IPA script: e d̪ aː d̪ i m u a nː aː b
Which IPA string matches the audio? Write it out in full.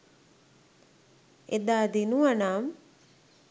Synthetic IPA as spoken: e d̪ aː d̪ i n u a n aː m

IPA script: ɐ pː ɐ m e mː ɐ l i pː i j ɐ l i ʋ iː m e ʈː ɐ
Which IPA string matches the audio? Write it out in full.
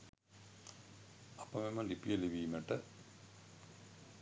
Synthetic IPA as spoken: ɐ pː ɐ m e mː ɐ l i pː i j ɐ l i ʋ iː m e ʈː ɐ

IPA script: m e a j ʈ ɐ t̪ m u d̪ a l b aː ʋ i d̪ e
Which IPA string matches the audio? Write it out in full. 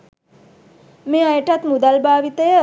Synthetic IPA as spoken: m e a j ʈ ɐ t̪ m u d̪ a l b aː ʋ i t̪ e

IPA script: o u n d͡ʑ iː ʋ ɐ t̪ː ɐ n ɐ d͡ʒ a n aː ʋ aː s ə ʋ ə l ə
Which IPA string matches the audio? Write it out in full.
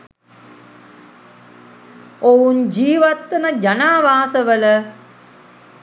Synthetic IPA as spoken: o u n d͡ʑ iː ʋ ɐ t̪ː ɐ n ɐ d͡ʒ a n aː ʋ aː s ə ʋ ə l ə

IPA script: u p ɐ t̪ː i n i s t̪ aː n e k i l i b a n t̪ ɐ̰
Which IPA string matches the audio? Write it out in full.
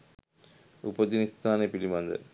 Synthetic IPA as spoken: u p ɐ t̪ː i n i s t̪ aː n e p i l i m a n d̪ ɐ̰

